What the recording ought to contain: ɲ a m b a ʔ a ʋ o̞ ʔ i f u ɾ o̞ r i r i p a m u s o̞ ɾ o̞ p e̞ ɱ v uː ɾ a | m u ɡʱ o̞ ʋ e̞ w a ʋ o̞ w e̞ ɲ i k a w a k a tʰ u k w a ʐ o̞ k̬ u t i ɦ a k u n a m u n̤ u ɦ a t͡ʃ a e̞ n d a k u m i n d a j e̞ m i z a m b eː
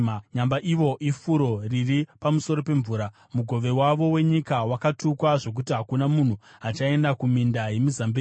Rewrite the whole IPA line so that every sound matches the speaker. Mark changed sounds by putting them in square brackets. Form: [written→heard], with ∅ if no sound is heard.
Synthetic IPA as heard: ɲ a m b a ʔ [a→i] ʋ o̞ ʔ i f u ɾ o̞ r i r i p a m u s o̞ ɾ o̞ p e̞ ɱ v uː ɾ a | m u ɡʱ o̞ ʋ e̞ w a ʋ o̞ w e̞ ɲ i k a w a k a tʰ u k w a ʐ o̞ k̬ u t i ɦ a k u n a m u n̤ u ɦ a t͡ʃ a e̞ n d a k u m i n d a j e̞ m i z a m b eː

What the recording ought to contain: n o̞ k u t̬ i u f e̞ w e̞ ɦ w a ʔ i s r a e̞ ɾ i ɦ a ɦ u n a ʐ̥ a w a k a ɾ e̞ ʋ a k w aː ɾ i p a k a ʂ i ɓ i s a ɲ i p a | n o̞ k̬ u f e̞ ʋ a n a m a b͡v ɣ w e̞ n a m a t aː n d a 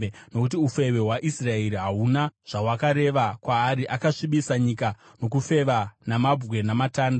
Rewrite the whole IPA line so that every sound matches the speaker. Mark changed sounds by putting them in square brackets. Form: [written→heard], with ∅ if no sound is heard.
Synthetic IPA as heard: n o̞ k u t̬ i u f e̞ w e̞ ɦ w a ʔ i s r a e̞ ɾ i ɦ a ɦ u n a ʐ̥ a w a k a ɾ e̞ ʋ a k w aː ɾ i [p→ʔ] a k a ʂ i ɓ i s a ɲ i [p→k] a | n o̞ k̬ u f e̞ ʋ a n a m a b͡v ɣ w e̞ n a m a t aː n d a

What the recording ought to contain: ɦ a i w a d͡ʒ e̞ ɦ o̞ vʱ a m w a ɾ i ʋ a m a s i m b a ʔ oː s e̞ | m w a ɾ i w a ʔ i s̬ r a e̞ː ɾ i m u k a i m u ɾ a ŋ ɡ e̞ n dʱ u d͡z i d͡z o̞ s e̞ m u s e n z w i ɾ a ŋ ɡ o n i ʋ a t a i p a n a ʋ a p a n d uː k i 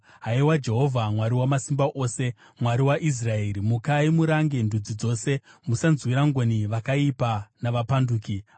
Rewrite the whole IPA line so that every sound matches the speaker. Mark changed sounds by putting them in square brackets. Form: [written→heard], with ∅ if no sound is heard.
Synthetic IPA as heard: ɦ a i w a d͡ʒ e̞ ɦ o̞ vʱ a m w a ɾ i [ʋ→w] a m a s i m b a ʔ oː s e̞ | m w a ɾ i w a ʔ i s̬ r a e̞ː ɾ i m u k a i m u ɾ a ŋ ɡ e̞ n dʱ u d͡z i d͡z o̞ s e̞ m u s [e→a] n z w i ɾ a ŋ ɡ o n i ʋ a [t→k] a i p a n a ʋ a p a n d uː k i

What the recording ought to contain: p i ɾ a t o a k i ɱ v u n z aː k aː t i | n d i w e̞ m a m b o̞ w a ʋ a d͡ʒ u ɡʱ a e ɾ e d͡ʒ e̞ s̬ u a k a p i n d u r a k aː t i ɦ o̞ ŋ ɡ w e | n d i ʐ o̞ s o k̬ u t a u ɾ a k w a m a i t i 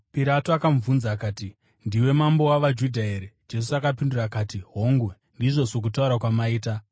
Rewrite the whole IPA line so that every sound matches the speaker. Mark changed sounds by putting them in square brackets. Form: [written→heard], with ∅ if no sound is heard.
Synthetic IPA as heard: p i ɾ a t o a k [i→a] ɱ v u n z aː k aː t i | n d i w e̞ m a m b o̞ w a ʋ a d͡ʒ u [ɡʱ→dʱ] a e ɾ e d͡ʒ e̞ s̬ u a k a p i n d u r a k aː t i ɦ o̞ ŋ ɡ w e | n d i ʐ o̞ s o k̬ u t a u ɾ a k w a m a [i→iː] t [i→a]

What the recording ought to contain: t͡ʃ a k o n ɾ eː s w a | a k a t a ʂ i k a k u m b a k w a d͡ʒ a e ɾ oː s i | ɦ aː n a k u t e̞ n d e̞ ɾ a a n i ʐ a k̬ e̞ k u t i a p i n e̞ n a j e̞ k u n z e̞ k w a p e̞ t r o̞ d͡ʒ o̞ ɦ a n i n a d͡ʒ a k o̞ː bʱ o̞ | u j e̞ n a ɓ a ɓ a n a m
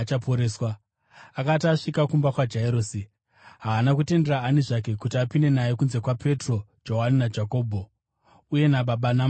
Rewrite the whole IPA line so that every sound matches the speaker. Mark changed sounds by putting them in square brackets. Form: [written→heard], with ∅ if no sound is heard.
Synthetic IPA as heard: t͡ʃ a [k→p] o [n→∅] ɾ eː s w a | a k a t a ʂ i k a k u m b a k w a d͡ʒ a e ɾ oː s i | ɦ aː n a k u t e̞ n d e̞ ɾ a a n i ʐ a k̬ e̞ k u t i a p i n e̞ n a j e̞ k u n z e̞ k w a p e̞ t r o̞ d͡ʒ o̞ ɦ a n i n a d͡ʒ a k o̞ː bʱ o̞ | u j e̞ n a ɓ a ɓ a n a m

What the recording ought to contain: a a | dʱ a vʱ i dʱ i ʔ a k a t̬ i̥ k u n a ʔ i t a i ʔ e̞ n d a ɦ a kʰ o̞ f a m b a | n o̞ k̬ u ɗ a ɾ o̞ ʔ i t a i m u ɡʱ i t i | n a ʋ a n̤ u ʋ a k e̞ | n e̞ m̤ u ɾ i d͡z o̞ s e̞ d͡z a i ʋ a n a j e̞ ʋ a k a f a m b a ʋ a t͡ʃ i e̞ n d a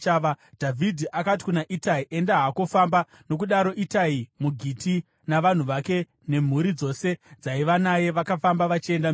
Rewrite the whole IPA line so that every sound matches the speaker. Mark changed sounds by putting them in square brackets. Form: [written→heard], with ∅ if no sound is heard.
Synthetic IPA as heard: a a | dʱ a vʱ i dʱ i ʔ a k a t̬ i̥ k u n a ʔ i t a i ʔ e̞ n d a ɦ a [kʰ→k] o̞ f a m b a | n o̞ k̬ u ɗ a ɾ o̞ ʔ i t a i m u ɡʱ i t i | n a ʋ a n̤ u ʋ a k e̞ | n e̞ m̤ u ɾ i d͡z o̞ s e̞ d͡z a i ʋ a n a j e̞ ʋ a k a f a m b a ʋ a t͡ʃ i e̞ n d a

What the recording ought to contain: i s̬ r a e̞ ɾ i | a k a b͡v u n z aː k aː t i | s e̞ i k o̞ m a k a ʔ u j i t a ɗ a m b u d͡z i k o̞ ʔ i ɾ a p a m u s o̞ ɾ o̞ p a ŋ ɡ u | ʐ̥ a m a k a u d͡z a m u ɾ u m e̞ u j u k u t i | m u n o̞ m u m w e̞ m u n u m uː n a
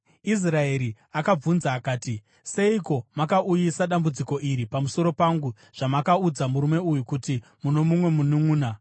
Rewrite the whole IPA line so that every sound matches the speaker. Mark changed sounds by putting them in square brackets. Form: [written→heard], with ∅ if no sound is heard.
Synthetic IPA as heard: i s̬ r a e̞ ɾ i | a k a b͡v u n z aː k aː t i | s e̞ i k o̞ m a k a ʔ u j i [t→s] a ɗ a m b u d͡z i k o̞ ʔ i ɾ [a→i] p a m u s o̞ ɾ o̞ p a ŋ ɡ u | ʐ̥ a m a k a u d͡z a m u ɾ u m e̞ u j u k u t i | m u n o̞ m u m w e̞ m u n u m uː n a

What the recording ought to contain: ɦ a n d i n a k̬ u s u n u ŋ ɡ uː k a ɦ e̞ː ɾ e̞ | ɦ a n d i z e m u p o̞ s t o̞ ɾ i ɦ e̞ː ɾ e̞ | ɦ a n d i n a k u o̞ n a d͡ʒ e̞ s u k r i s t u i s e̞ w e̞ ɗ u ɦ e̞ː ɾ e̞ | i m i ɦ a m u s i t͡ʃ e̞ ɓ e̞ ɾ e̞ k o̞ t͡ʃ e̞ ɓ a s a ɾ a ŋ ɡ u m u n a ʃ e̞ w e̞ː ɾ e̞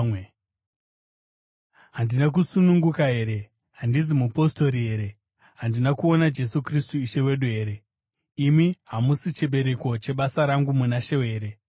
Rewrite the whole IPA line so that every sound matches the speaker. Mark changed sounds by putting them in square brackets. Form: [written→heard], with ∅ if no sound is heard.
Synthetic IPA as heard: ɦ a n d i n a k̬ u s u n u ŋ ɡ [uː→u] k a ɦ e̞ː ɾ e̞ | ɦ a n d i z [e→i] m u p o̞ s t o̞ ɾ i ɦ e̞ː ɾ e̞ | ɦ a n d i n a k u o̞ n a d͡ʒ e̞ s u k r i s t u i [s→ʃ] e̞ w e̞ ɗ u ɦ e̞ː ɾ e̞ | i m i ɦ a m u s i t͡ʃ e̞ ɓ e̞ ɾ e̞ k o̞ t͡ʃ e̞ ɓ a s a ɾ a ŋ ɡ u m u n a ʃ e̞ w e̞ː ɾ e̞

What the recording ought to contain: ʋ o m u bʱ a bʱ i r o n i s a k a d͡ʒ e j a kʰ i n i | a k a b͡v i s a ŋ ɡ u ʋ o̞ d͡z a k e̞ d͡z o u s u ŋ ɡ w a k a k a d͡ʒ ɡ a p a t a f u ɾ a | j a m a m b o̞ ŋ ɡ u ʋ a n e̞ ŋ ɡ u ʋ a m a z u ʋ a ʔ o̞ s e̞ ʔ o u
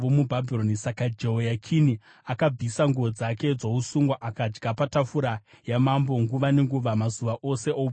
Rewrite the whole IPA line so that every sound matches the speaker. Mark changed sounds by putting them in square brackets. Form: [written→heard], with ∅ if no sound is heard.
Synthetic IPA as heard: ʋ o m u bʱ a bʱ i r o n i s a k a d͡ʒ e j a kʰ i n i | a k a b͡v i s a ŋ ɡ u ʋ o̞ d͡z a k e̞ d͡z o u s u ŋ ɡ w a [k→ʔ] a k a d͡ʒ ɡ a p a t a f u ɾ a | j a m a m b o̞ ŋ ɡ u ʋ a n e̞ ŋ ɡ u ʋ a m a z u ʋ a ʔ o̞ s e̞ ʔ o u

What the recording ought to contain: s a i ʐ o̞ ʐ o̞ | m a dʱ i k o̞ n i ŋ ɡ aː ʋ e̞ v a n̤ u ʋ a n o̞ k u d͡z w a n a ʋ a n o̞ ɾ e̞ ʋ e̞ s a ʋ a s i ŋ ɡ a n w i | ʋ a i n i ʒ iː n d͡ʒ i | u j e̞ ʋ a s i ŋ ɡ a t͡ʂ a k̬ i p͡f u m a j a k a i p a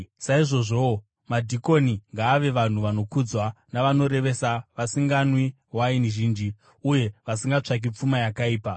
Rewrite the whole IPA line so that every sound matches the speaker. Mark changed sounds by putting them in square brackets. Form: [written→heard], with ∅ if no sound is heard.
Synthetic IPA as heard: s a i ʐ o̞ ʐ o̞ | m a dʱ i k o̞ n i ŋ ɡ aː ʋ e̞ [v→ʋ] a n̤ u ʋ a n o̞ k u d͡z w a n a ʋ a n o̞ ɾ e̞ ʋ e̞ s a ʋ a s i ŋ ɡ a n w i | [ʋ→w] a i n i ʒ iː n d͡ʒ i | u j e̞ ʋ a s i ŋ ɡ a t͡ʂ a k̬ i p͡f u m a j a k a [i→iː] p a

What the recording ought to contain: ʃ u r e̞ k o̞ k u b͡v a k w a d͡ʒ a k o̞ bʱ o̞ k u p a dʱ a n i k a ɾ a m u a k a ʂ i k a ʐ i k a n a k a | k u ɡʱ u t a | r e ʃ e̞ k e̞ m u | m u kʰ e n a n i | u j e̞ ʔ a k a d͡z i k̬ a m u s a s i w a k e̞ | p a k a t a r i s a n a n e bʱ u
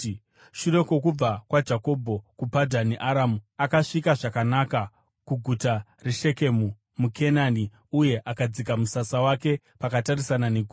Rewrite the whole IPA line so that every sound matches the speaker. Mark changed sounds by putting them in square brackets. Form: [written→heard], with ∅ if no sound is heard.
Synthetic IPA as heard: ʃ u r e̞ k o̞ k u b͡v a k w a d͡ʒ a k o̞ bʱ o̞ k u p a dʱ a n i [k→ʔ] a ɾ a m u a k a ʂ i k a ʐ [i→a] k a n a k a | k u ɡʱ u t a | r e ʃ e̞ k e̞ m u | m u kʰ e n a n i | u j e̞ ʔ a k a d͡z i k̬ a m u s a s [i→a] w a k e̞ | p a k a t a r i s a n a n e [bʱ→ɡʱ] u

